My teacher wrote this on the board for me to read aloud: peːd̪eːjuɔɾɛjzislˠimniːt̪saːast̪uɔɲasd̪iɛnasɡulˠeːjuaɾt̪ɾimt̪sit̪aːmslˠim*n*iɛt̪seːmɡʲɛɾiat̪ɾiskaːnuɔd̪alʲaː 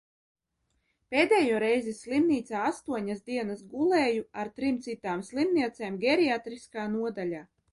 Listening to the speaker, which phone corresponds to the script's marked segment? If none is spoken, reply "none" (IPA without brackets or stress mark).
n